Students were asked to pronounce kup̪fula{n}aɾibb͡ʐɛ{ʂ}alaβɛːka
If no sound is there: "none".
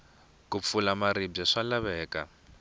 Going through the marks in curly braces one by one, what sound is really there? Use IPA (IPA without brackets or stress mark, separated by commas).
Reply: m, ʂ